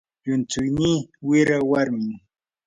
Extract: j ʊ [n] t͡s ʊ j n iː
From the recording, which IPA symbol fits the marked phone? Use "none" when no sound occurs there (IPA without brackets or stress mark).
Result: n